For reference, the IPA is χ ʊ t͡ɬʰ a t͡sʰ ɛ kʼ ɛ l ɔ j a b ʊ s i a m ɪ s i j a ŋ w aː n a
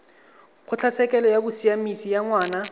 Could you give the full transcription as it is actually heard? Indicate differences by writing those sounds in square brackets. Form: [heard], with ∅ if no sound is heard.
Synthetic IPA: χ ʊ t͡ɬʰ a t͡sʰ ɛ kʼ ɛ l ɔ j a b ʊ s i a m [i] s i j a ŋ w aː n a